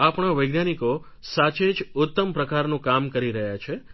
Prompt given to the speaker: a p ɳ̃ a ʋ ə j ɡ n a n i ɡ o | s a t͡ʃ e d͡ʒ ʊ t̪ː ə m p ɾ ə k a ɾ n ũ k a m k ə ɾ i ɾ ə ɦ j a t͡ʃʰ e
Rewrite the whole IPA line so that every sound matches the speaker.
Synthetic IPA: a p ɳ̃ a ʋ ə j ɡ n a n i k o | s a t͡ʃ e d͡ʒ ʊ t̪ː ə m p ɾ ə k a ɾ n ũ k a m k ə ɾ i ɾ ə ɦ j a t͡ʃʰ e